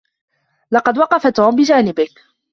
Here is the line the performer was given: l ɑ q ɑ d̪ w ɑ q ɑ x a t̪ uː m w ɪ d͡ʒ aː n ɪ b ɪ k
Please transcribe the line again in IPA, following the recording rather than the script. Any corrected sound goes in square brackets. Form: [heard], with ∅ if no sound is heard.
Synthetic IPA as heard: l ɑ q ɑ d̪ w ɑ q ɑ [f] a t̪ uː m [b] ɪ d͡ʒ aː n ɪ b ɪ k